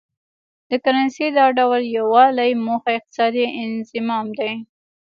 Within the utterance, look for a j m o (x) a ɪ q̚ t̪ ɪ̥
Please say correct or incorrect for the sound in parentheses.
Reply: correct